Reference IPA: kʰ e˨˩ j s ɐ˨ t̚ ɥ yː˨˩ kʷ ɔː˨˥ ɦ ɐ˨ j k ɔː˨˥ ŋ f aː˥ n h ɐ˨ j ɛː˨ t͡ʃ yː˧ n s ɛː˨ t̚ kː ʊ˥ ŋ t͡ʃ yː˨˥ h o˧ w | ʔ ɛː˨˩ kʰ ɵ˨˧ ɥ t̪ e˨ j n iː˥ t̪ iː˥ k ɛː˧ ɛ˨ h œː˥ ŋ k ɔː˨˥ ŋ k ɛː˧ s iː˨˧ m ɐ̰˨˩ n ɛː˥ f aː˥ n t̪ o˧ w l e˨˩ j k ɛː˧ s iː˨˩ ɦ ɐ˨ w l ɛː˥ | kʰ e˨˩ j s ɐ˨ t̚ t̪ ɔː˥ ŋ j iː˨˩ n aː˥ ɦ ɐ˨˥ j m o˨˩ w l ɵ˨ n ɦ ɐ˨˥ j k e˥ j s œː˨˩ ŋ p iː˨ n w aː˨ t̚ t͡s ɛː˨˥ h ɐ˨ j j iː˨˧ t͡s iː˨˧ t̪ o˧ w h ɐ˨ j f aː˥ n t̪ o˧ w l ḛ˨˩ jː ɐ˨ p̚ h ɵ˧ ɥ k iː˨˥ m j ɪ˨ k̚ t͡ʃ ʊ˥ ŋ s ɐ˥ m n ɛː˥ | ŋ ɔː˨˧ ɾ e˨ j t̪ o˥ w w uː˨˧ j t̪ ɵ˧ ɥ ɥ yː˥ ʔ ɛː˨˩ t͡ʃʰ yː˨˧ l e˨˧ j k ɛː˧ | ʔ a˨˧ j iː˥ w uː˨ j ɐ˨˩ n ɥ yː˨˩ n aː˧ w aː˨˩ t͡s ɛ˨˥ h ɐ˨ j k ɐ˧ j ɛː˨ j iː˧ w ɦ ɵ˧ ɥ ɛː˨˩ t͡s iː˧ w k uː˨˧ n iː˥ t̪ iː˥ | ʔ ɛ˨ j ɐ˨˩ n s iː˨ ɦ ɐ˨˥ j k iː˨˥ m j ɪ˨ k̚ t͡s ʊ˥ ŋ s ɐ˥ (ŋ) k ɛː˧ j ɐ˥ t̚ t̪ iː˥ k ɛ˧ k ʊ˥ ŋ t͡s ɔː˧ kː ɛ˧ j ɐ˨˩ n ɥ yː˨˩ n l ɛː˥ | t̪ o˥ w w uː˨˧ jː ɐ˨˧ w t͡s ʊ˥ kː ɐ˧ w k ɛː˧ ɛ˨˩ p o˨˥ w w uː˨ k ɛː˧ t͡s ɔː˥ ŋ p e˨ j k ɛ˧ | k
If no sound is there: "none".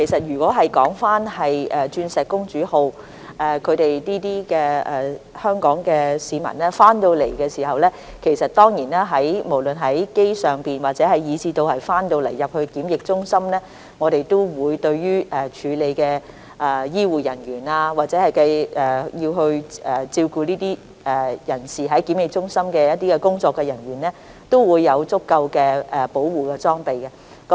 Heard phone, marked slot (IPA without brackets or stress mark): m